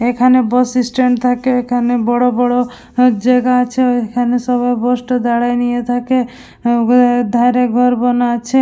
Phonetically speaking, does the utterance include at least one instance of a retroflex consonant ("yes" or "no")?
yes